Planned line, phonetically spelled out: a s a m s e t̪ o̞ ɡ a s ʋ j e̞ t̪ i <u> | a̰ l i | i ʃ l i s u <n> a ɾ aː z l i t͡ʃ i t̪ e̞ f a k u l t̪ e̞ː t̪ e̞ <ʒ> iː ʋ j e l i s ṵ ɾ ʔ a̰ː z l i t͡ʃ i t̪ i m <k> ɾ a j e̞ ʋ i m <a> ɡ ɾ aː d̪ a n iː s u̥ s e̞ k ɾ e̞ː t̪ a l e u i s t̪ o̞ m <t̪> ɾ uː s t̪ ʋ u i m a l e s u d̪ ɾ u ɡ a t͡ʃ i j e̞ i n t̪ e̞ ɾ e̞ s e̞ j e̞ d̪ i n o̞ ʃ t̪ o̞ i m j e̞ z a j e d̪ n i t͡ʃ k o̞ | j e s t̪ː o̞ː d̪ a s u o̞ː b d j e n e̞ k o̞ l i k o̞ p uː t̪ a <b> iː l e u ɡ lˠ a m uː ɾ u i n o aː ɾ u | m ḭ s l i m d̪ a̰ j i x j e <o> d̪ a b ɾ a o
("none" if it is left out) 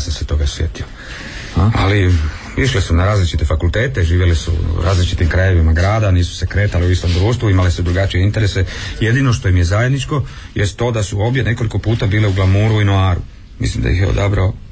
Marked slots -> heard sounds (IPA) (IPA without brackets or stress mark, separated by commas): o, n, ʒ, k, a, d̪, b, o